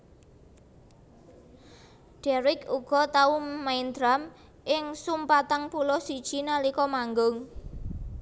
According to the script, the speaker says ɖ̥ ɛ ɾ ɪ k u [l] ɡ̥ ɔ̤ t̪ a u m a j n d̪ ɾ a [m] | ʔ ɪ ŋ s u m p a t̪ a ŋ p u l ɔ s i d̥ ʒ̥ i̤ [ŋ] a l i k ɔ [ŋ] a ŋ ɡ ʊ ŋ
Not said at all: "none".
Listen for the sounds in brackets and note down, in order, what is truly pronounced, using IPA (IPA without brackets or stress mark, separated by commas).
none, m, n, m